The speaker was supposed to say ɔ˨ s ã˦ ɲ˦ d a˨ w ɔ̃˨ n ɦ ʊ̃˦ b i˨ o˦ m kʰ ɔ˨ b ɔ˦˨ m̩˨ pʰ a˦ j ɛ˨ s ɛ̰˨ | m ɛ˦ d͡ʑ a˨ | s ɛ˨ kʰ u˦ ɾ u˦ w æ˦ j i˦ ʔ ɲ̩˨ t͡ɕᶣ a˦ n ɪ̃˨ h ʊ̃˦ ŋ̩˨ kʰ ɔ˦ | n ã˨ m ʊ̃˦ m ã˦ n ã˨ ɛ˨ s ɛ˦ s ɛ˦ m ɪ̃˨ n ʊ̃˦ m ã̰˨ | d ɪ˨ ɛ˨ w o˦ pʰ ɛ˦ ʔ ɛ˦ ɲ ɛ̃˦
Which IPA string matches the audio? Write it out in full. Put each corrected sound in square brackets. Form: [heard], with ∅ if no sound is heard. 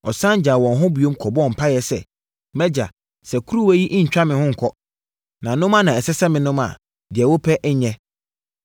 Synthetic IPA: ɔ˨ s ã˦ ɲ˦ [d͡ʑ] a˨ w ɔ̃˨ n ɦ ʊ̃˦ b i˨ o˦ m kʰ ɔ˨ b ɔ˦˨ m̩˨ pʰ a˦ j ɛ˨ s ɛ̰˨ | m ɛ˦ d͡ʑ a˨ | s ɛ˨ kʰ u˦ ɾ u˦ w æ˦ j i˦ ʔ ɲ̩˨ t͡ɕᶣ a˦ [m] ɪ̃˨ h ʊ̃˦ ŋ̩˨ kʰ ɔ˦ | n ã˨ [n] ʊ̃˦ m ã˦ n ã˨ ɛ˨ s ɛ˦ s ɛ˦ m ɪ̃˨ n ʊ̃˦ m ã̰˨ | d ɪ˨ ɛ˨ w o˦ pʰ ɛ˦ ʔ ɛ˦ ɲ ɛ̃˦